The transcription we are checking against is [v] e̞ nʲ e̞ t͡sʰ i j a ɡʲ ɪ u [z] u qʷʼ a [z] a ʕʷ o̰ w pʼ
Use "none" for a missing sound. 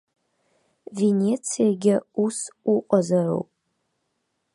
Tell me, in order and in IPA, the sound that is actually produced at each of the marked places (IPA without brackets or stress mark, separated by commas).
v, s, z